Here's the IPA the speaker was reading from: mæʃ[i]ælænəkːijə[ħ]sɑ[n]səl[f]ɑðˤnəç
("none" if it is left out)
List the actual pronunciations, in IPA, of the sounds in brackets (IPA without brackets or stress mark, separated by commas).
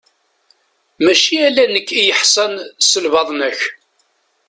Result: i, ħ, n, v